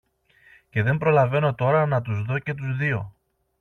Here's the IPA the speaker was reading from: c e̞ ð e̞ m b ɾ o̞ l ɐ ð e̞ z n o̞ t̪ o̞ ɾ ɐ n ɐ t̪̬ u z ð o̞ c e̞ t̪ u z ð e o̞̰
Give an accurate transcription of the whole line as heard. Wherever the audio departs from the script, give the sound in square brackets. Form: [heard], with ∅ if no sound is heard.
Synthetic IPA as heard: c e̞ ð e̞ m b ɾ o̞ l ɐ [v] e̞ [∅] n o̞ t̪ o̞ ɾ ɐ n ɐ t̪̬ u z ð o̞ c e̞ t̪ u z ð [i] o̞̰